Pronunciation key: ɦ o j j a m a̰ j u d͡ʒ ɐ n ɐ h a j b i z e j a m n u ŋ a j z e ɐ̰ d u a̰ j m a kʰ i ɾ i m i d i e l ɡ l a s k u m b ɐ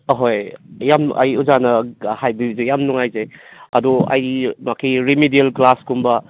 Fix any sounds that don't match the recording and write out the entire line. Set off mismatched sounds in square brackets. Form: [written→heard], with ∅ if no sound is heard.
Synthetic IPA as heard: ɦ o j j a m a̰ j u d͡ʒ [ɐ→a] n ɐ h a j b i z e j a m n u ŋ a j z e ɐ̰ d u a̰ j m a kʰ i ɾ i m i d i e l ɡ l a s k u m b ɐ